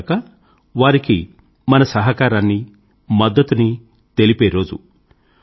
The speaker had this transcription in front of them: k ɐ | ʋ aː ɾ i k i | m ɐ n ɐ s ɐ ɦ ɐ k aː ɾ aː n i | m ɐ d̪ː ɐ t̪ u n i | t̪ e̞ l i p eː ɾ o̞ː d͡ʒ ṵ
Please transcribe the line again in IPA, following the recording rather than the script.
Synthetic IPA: k ɐ | ʋ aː ɾ i k i | m ɐ n ɐ s ɐ ɦ ɐ k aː ɾ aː nː i | m ɐ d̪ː ɐ t̪ u n i | t̪ e̞ l i p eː ɾ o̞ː d͡ʒ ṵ